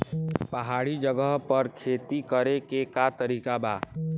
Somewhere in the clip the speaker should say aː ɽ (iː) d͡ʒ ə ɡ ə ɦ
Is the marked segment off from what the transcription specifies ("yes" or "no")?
yes